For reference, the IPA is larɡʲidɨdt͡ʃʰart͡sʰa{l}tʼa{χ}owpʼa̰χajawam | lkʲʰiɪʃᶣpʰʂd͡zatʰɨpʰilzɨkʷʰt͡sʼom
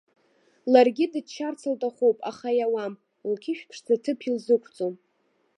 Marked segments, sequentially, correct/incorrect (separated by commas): correct, correct